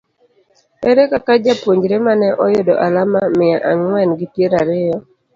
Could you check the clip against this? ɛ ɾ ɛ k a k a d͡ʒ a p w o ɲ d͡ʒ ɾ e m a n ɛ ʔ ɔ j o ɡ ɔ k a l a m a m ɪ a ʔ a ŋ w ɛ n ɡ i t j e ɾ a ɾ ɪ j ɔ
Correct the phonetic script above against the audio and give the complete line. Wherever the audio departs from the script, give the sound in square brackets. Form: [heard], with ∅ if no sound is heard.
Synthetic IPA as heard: ɛ ɾ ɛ k a k a d͡ʒ a p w o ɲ d͡ʒ ɾ e m a n ɛ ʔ ɔ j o [d] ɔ [ʔ] a l a m a m ɪ a ʔ a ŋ w ɛ n ɡ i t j e ɾ a ɾ ɪ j ɔ